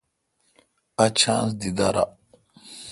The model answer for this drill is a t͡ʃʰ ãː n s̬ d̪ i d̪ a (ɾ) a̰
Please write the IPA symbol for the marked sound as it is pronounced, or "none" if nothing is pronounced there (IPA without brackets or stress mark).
ɾ